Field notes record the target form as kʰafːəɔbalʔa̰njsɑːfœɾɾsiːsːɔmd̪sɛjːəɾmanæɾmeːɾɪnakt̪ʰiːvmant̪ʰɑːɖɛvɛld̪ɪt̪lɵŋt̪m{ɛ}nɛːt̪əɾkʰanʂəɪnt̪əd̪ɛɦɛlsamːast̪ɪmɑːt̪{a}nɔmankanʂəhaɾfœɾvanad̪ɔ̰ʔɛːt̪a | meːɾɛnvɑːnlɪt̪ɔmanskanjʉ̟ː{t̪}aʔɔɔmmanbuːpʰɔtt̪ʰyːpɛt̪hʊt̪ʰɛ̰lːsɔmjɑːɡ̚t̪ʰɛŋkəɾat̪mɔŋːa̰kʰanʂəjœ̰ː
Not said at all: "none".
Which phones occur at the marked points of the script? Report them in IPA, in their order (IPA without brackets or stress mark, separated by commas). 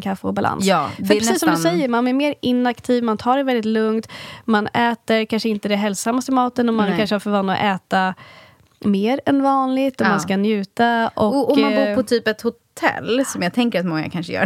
a, ə, t̪